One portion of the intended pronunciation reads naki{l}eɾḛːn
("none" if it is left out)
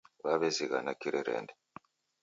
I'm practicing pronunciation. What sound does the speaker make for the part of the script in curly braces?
ɾ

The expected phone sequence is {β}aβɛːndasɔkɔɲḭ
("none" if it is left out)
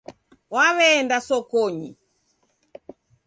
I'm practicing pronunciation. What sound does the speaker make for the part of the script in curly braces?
w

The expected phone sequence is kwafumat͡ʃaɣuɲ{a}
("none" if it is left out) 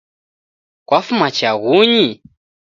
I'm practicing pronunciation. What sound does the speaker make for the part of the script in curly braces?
i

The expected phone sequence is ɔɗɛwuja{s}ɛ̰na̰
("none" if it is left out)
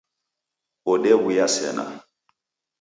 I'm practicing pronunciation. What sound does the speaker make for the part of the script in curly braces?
s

